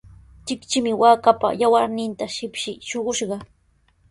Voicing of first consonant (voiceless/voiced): voiceless